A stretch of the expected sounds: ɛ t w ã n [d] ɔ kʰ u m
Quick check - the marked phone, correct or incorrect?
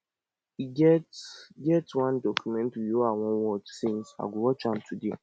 correct